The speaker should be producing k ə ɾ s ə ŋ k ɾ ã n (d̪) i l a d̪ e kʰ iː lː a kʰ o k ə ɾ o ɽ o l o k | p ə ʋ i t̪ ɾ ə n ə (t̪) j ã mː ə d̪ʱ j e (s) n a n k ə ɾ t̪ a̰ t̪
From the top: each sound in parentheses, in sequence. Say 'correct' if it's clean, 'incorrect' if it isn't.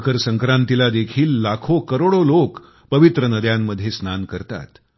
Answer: incorrect: t̪, incorrect: d̪, correct

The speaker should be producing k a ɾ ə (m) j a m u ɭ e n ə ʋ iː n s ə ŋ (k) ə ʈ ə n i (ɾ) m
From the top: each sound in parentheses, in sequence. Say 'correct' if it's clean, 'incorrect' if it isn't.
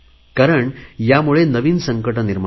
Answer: incorrect: ɳ, correct, correct

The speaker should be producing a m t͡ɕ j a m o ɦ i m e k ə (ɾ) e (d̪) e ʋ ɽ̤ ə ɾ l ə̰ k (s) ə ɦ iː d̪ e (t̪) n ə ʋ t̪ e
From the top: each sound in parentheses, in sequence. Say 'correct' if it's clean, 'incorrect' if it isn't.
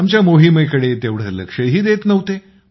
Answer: incorrect: ɽ, incorrect: t̪, incorrect: ʂ, correct

